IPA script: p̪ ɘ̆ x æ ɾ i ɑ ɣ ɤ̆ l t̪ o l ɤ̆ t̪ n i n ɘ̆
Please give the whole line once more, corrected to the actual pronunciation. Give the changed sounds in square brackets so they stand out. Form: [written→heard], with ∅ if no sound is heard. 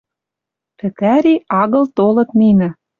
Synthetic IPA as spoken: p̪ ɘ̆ [x→k] æ ɾ i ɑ ɣ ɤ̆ l t̪ o l ɤ̆ t̪ n i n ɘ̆